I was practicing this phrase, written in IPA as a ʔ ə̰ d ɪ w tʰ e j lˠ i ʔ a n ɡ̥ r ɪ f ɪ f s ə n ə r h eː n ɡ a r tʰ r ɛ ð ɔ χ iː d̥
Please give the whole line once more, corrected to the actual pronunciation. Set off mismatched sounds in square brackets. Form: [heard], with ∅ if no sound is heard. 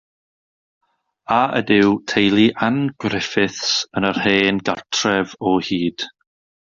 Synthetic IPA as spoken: a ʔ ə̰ d ɪ w tʰ e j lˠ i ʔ a n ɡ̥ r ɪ f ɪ [θ] s ə n ə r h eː n ɡ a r tʰ r ɛ [v] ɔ [h] iː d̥